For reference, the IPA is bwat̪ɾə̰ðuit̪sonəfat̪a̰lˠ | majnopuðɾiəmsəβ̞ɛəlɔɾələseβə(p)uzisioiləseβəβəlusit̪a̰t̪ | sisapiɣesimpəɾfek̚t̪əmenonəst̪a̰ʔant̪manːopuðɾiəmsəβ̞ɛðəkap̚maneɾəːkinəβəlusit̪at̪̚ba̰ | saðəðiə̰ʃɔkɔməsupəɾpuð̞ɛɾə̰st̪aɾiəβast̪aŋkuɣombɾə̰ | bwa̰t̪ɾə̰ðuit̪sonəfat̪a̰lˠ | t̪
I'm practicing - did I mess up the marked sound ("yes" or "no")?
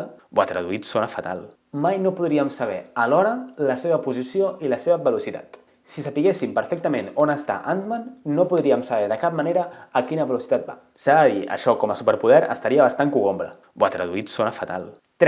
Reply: no